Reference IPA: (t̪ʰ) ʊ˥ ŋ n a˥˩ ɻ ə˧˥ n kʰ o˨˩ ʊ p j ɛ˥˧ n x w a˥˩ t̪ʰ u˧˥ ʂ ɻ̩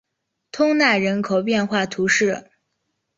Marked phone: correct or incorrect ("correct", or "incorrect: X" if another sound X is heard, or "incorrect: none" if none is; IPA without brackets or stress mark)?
correct